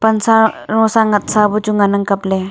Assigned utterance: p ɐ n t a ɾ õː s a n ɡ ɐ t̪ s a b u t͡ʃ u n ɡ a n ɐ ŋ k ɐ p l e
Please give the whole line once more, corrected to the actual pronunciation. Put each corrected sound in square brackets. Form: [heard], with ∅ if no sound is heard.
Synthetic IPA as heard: p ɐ n [s] a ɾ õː s a [ŋ] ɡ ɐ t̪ s a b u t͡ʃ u [ŋ] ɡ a n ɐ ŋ k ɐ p l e